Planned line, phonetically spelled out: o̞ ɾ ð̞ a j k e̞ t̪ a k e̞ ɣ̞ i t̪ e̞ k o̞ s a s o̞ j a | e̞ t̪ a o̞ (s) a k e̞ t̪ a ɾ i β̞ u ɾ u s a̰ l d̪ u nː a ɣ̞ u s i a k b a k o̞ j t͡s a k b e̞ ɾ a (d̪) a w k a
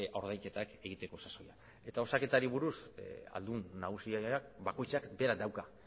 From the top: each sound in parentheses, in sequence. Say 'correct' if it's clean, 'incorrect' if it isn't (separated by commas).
correct, correct